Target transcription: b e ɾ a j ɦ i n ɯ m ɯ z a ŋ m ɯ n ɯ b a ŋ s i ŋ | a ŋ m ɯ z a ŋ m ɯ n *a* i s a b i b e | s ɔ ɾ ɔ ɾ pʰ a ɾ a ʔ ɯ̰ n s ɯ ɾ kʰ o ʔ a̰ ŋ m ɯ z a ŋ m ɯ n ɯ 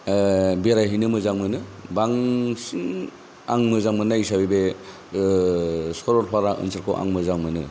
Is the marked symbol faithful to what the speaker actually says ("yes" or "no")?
yes